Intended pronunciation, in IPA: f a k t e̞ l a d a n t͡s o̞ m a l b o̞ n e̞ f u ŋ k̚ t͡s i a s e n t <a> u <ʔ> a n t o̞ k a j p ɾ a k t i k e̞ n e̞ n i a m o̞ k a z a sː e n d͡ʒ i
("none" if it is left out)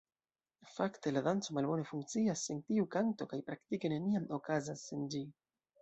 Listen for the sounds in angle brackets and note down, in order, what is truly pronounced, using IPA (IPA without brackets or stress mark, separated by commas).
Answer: i, k